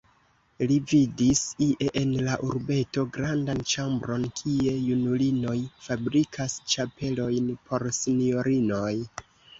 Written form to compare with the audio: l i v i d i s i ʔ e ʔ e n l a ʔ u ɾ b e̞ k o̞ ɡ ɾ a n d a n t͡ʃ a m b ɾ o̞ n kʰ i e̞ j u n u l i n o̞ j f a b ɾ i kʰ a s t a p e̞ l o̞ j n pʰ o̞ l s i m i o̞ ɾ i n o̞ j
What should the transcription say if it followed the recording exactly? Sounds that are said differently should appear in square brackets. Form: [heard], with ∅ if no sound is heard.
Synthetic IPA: l i v i d i s i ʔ e ʔ e n l a ʔ u ɾ b e̞ [t] o̞ ɡ ɾ a n d a n t͡ʃ a m b ɾ o̞ n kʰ i e̞ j u n u l i n o̞ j f a b ɾ i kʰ a s [t͡ʃ] a p e̞ l o̞ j n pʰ o̞ [ɾ] s i [n] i o̞ ɾ i n o̞ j